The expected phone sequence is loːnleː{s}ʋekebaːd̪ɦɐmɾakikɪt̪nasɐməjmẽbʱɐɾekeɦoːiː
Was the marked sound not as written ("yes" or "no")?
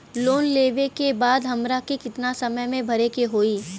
yes